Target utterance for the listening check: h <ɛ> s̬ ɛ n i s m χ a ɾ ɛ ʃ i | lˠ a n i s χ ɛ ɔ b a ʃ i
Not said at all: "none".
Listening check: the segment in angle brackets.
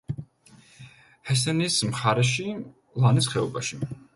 ɛ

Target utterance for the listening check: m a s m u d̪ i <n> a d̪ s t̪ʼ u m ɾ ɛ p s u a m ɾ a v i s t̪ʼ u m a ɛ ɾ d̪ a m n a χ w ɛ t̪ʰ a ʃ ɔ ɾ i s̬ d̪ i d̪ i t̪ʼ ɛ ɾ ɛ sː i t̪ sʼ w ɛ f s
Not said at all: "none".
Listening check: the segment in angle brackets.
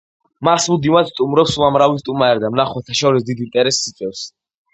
m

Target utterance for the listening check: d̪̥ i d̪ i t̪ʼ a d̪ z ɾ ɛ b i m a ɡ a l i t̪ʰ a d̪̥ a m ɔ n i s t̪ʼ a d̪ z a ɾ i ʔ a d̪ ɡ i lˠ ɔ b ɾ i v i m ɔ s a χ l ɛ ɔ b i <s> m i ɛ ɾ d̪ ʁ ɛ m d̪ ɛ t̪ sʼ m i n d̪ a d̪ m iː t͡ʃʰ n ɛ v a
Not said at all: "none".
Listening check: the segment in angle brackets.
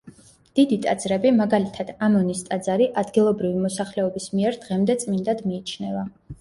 s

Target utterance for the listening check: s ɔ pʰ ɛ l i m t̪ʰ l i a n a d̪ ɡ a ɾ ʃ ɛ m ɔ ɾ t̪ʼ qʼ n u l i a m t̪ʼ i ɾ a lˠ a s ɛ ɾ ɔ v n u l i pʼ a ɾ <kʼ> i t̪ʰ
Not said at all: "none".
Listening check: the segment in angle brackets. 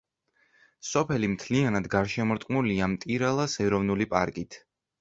kʼ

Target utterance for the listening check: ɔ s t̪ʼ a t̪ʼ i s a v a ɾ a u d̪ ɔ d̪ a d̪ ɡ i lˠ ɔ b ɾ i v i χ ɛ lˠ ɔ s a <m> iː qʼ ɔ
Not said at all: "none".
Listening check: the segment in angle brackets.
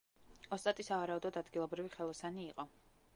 n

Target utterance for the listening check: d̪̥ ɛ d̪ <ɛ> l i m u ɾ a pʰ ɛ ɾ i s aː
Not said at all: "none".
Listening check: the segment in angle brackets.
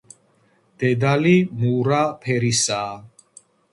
a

